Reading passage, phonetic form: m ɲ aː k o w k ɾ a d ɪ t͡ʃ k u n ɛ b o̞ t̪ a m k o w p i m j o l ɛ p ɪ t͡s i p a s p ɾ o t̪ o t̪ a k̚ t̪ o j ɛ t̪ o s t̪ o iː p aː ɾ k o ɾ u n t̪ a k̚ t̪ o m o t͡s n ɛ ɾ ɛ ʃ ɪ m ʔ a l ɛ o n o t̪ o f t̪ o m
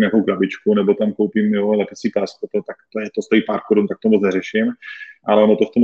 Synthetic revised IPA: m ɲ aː k o w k ɾ a b ɪ t͡ʃ k u n ɛ b o̞ t̪ a m k o w p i m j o l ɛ p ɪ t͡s i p a s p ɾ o t̪ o t̪ a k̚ t̪ o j ɛ t̪ o s t̪ o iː p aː ɾ k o ɾ u n t̪ a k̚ t̪ o m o t͡s n ɛ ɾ ɛ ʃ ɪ m ʔ a l ɛ o n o t̪ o f t̪ o m